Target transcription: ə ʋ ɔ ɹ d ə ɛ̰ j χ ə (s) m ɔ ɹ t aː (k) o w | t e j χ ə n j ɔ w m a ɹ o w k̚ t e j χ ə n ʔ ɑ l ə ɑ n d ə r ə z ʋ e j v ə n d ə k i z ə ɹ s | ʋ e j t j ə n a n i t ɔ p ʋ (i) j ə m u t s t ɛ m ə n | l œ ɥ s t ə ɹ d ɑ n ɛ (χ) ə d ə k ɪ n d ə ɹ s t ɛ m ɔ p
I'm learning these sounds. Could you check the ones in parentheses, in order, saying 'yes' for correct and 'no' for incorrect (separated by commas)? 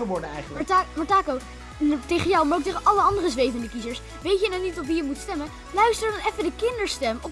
no, yes, yes, no